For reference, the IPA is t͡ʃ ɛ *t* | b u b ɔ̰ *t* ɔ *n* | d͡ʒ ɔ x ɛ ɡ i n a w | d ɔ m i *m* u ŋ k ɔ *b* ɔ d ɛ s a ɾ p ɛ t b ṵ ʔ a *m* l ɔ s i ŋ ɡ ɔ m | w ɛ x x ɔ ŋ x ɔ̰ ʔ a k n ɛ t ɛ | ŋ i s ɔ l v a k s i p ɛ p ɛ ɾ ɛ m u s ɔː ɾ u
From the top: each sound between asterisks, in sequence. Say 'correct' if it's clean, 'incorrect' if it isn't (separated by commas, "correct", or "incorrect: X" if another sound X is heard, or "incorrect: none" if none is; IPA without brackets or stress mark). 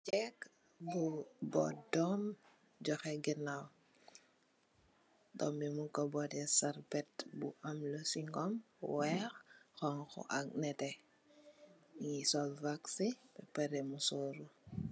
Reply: incorrect: k, incorrect: d, incorrect: m, correct, correct, correct